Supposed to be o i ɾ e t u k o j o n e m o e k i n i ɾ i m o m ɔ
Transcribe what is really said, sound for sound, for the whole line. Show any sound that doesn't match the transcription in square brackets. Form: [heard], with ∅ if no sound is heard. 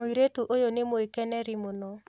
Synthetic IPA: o i ɾ e t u [ʔ] o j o n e m o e k [ɛ] n [ɛ] ɾ i m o [n] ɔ